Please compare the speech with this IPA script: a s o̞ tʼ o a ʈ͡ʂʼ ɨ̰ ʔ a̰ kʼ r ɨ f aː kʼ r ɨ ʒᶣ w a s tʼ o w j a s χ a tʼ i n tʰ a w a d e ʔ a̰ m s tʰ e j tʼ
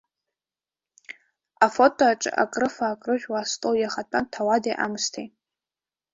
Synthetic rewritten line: a f o̞ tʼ o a ʈ͡ʂʼ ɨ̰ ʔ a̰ kʼ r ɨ f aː kʼ r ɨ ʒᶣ w a s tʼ o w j a χ a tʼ a n tʰ a w a d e ʔ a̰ m s tʰ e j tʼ